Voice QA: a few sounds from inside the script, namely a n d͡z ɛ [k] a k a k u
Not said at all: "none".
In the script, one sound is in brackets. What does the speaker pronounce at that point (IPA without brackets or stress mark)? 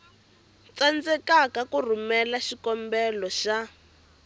k